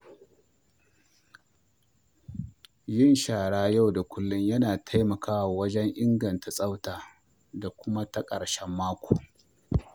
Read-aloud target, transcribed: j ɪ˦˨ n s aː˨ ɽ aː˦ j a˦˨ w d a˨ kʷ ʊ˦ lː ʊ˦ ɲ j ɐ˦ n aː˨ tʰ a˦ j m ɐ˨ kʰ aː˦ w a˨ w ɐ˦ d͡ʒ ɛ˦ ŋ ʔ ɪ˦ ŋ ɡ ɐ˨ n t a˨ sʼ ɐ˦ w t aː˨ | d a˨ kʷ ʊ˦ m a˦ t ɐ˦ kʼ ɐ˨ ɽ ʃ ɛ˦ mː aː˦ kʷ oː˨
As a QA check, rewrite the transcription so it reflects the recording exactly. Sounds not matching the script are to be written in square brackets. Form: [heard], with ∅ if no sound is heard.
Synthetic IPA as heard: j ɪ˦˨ n [ʃ] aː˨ ɽ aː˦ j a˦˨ w d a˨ kʷ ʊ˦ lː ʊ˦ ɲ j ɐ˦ n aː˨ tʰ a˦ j m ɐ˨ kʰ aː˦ w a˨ w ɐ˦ d͡ʒ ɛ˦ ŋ ʔ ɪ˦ ŋ ɡ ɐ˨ n t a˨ sʼ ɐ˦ w t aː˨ | d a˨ kʷ ʊ˦ m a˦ t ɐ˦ kʼ ɐ˨ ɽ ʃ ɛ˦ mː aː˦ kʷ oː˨